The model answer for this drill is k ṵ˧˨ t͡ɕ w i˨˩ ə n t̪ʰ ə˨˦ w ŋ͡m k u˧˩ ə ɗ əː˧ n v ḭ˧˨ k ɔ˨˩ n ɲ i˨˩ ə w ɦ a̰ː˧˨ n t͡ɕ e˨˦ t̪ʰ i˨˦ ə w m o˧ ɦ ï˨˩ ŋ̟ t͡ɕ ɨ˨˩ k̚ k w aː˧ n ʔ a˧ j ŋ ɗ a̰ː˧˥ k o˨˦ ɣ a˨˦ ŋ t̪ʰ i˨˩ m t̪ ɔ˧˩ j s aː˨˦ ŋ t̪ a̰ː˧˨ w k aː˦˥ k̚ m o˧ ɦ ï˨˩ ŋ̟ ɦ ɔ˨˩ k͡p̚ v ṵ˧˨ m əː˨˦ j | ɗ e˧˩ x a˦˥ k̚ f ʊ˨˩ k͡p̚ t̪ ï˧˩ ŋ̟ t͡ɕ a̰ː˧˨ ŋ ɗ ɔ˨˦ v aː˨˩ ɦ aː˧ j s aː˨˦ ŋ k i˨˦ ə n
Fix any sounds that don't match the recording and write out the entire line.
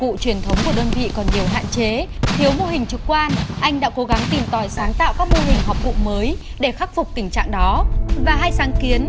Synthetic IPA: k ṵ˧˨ t͡ɕ w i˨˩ ə n t̪ʰ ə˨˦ w ŋ͡m k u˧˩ ə ɗ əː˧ n v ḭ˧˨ k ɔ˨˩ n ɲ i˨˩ ə w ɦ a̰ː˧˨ n t͡ɕ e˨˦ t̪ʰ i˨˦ ə w m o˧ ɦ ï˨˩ ŋ̟ t͡ɕ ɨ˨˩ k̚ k w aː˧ n ʔ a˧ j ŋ ɗ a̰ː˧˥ k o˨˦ ɣ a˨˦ ŋ t̪ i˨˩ m t̪ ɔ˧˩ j s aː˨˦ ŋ t̪ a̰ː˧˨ w k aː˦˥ k̚ m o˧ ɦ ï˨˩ ŋ̟ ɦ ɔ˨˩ k͡p̚ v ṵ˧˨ m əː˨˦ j | ɗ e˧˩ x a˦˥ k̚ f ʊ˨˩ k͡p̚ t̪ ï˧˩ ŋ̟ t͡ɕ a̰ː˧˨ ŋ ɗ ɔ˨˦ v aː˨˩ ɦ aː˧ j s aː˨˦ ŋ k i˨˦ ə n